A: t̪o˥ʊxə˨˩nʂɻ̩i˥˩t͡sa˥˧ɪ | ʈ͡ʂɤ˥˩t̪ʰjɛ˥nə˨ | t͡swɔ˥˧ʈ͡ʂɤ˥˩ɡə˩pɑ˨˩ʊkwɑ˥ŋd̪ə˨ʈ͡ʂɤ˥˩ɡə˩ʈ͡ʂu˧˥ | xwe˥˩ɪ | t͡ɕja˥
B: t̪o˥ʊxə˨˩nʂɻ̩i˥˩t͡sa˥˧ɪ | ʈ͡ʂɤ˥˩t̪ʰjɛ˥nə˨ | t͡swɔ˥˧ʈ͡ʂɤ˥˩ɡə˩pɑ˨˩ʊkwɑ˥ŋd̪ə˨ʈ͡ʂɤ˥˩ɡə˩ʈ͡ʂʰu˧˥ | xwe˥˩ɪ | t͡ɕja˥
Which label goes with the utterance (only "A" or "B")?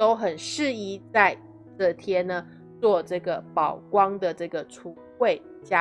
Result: B